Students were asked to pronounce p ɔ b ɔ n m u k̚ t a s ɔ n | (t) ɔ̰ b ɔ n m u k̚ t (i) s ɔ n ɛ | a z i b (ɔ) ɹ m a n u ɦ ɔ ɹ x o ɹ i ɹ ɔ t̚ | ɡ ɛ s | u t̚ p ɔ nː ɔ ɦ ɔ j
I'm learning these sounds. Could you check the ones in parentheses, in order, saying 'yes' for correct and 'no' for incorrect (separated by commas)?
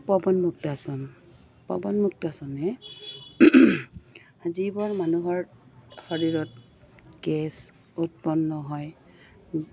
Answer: no, no, yes